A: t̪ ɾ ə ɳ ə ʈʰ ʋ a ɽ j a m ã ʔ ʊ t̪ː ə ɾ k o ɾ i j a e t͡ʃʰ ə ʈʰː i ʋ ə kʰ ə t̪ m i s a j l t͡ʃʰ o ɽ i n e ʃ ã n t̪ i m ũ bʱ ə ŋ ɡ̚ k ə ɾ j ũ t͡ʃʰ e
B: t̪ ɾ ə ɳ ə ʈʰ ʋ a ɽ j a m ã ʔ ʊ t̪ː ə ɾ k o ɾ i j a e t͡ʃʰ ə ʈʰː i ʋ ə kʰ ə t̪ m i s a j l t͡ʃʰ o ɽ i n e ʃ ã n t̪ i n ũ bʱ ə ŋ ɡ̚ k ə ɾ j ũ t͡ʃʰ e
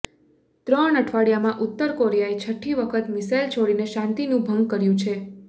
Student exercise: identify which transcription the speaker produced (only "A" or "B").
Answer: B